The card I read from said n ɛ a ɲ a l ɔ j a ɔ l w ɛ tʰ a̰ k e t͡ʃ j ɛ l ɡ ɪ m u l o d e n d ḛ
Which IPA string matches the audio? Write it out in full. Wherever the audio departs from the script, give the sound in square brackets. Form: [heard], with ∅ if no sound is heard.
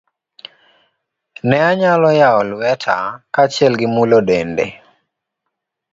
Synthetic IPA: n ɛ a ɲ a l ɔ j a ɔ l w ɛ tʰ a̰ k [a] t͡ʃ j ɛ l ɡ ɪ m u l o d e n d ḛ